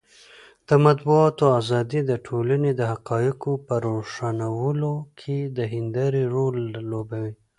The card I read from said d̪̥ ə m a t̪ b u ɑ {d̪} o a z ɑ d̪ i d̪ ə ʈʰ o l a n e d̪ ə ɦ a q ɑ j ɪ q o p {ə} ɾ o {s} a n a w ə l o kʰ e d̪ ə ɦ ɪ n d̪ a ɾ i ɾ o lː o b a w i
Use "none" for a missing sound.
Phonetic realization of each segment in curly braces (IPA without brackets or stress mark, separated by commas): t̪, ə, ʂ